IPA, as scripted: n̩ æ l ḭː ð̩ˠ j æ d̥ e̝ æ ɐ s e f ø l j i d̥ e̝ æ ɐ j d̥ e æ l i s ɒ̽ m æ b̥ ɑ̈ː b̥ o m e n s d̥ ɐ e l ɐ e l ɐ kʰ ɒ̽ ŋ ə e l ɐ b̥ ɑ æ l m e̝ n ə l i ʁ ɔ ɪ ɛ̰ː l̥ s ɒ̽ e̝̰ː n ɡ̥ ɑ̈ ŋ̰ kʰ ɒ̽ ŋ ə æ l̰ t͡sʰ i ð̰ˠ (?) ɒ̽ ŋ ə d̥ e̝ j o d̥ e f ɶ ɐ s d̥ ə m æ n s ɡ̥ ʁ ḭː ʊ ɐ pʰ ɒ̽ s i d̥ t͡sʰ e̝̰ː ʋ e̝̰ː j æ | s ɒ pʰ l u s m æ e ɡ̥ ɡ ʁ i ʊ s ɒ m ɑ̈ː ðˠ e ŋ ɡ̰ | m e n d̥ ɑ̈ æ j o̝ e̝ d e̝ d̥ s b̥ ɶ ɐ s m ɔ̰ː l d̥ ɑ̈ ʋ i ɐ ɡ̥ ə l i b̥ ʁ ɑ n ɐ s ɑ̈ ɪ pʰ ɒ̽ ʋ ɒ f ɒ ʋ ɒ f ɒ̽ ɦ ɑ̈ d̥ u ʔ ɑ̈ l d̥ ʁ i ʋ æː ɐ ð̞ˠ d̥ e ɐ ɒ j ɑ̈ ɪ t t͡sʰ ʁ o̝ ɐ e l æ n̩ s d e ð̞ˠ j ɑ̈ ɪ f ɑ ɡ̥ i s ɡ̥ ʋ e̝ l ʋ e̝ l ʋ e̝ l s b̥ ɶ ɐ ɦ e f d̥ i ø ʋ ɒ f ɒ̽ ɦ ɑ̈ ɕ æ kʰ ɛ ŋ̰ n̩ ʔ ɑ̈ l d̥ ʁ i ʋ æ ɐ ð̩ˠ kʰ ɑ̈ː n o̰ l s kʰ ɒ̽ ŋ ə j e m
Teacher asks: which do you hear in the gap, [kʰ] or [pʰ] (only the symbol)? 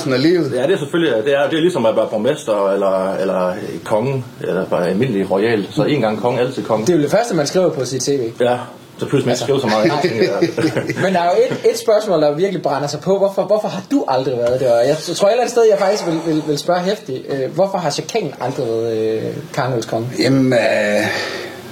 kʰ